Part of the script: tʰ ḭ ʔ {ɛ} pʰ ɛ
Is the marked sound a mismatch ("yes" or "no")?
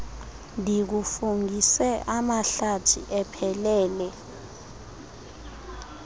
no